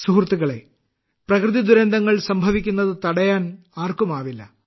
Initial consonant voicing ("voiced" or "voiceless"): voiceless